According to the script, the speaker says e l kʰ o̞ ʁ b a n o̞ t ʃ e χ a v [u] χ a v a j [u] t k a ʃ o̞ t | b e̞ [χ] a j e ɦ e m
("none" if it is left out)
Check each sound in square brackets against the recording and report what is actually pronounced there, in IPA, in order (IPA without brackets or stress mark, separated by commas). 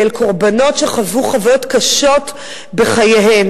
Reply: u, o, χ